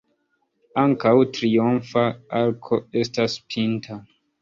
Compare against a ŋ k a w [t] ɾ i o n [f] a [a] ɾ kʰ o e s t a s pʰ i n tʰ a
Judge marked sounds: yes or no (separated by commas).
yes, yes, yes